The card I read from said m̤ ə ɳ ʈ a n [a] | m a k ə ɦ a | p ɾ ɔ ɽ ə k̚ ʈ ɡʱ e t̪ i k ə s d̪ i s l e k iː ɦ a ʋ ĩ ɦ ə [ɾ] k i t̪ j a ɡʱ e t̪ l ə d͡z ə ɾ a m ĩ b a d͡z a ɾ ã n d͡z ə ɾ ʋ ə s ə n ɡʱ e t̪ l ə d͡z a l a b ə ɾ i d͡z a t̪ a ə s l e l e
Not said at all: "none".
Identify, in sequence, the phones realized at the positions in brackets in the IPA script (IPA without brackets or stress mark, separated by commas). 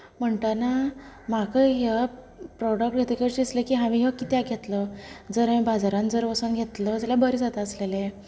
a, none